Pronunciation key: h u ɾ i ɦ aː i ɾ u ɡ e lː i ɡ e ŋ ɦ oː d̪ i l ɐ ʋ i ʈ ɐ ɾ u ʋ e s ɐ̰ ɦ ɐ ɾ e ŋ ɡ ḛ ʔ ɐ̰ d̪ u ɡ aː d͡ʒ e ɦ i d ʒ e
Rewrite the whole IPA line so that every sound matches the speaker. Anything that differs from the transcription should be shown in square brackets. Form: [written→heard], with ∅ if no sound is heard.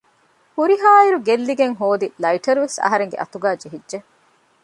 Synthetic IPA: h u ɾ i ɦ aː i ɾ u ɡ e lː i ɡ e ŋ ɦ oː d̪ i l ɐ [ʋ→∅] i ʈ ɐ ɾ u ʋ e s ɐ̰ ɦ ɐ ɾ e ŋ ɡ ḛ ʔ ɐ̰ [d̪→t̪] u ɡ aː d͡ʒ e ɦ i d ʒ e